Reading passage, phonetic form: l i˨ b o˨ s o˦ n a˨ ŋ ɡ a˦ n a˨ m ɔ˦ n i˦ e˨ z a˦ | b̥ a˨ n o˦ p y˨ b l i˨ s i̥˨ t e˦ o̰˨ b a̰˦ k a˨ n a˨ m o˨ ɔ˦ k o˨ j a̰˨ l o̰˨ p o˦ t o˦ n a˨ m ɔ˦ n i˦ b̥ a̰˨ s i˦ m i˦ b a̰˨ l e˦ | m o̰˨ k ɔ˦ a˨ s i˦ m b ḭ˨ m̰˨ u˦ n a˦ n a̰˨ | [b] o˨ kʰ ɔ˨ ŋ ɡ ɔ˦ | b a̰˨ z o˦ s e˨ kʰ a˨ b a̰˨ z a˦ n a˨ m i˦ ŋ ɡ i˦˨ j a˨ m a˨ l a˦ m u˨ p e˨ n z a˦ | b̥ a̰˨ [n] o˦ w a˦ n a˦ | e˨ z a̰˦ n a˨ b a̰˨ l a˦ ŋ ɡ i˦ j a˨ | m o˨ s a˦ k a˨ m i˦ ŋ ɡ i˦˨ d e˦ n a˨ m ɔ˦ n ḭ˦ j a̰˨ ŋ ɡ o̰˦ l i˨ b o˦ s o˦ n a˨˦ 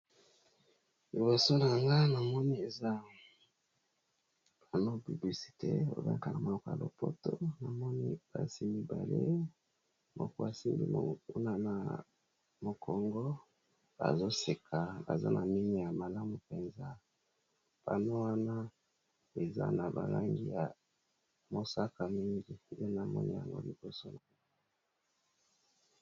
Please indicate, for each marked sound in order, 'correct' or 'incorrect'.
incorrect: m, correct

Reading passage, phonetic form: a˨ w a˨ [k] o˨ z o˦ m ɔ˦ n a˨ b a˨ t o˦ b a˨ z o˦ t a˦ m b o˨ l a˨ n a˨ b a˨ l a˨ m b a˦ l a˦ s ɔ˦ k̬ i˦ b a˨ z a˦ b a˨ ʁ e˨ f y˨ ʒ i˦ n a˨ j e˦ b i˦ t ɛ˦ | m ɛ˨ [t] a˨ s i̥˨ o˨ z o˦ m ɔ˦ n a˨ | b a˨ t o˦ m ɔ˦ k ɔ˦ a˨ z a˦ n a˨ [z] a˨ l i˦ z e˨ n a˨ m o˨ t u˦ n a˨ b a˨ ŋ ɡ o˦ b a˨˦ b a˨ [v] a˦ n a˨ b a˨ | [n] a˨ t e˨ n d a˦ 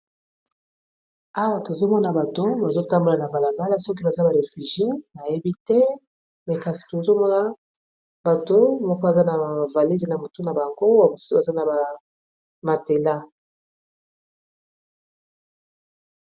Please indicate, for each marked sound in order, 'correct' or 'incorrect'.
incorrect: t, incorrect: k, incorrect: v, incorrect: z, incorrect: m

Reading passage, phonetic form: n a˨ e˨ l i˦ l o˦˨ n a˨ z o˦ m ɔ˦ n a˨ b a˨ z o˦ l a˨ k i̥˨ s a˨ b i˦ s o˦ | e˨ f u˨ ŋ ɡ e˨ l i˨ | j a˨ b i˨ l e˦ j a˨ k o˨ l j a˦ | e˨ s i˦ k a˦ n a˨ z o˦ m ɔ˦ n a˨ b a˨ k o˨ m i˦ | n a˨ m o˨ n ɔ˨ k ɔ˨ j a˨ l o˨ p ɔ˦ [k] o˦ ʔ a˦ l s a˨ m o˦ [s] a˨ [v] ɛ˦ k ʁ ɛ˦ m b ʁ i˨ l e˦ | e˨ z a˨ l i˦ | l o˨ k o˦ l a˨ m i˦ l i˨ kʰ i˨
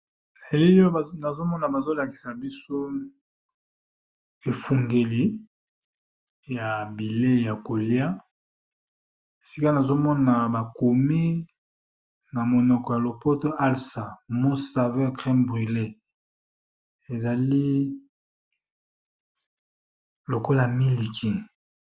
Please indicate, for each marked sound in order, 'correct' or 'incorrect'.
incorrect: t, correct, correct

